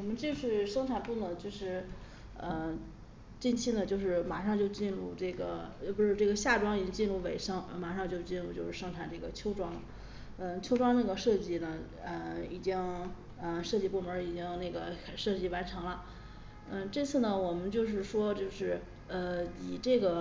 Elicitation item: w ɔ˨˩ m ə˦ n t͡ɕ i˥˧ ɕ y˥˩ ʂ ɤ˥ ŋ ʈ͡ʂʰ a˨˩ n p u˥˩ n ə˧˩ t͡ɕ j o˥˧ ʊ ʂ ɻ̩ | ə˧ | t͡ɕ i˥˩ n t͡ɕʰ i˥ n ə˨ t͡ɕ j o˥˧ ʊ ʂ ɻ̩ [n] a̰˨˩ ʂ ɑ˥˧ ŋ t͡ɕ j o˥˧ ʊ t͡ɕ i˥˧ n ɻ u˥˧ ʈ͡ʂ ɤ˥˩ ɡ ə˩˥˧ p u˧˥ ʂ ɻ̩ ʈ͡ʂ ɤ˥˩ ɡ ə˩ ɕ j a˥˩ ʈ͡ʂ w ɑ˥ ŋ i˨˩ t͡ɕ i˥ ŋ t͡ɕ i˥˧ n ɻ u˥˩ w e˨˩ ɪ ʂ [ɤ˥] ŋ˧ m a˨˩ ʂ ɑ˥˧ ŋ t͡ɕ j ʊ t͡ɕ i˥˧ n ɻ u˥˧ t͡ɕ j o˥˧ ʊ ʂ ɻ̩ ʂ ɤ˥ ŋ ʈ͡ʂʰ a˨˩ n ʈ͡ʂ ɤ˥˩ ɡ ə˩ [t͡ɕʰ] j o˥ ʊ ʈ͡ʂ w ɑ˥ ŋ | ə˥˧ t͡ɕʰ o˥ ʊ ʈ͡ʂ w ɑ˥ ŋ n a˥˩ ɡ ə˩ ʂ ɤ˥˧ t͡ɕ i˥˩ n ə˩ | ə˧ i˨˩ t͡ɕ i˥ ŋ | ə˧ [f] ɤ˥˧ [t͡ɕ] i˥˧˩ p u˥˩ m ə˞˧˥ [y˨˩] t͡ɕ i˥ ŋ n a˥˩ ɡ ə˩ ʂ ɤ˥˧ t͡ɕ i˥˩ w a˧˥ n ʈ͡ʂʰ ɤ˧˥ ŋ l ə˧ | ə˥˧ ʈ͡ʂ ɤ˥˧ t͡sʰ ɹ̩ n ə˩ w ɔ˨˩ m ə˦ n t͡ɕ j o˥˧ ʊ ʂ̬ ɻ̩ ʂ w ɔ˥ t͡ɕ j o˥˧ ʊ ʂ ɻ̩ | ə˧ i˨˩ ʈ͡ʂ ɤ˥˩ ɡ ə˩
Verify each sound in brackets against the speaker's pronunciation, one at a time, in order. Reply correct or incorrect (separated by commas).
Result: incorrect, correct, correct, incorrect, correct, incorrect